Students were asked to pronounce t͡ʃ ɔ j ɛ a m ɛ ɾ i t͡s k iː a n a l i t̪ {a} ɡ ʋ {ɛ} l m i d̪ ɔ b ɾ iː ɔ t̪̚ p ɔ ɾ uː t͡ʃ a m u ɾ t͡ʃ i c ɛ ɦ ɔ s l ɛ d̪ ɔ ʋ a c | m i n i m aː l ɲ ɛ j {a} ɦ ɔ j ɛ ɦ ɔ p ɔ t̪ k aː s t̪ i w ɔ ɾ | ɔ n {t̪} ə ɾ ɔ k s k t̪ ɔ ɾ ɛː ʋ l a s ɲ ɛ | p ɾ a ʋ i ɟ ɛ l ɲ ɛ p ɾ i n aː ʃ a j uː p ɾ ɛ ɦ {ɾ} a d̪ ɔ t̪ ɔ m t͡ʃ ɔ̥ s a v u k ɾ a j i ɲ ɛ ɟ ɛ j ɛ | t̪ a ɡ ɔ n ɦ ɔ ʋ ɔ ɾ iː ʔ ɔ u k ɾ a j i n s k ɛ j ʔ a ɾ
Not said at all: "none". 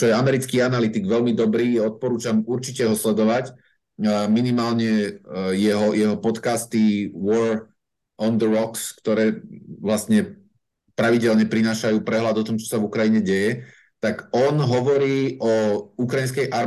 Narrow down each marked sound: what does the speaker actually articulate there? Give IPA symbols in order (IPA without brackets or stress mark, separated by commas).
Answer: i, ɛ, ɛ, d̪, l